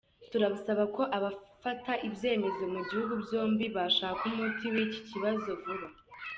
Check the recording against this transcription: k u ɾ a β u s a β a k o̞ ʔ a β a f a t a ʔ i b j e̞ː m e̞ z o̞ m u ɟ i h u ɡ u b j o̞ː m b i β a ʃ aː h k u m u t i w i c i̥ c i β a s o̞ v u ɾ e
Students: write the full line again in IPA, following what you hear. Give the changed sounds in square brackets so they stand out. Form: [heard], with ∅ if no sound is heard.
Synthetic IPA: [t] u ɾ a β u s a β a k o̞ ʔ a β a f a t a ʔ i b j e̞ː m e̞ z o̞ m u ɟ i h u ɡ u b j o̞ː m b i β a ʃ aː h k u m u t i w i c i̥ c i β a [z] o̞ v u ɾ [a]